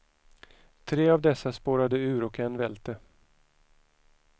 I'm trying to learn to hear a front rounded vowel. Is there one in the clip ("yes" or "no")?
no